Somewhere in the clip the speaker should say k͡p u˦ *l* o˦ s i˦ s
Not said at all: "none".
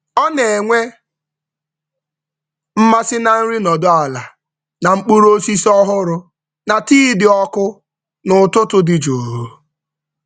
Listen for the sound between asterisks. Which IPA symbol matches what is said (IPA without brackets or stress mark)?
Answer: ɾ